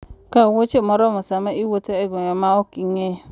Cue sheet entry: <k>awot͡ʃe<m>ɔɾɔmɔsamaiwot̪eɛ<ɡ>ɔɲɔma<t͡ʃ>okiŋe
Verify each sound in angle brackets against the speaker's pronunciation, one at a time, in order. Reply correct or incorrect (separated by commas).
correct, correct, correct, incorrect